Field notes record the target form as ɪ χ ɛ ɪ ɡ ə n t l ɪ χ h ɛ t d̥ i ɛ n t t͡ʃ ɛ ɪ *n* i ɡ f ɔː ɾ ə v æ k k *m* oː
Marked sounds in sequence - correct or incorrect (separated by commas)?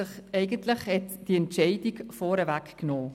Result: incorrect, incorrect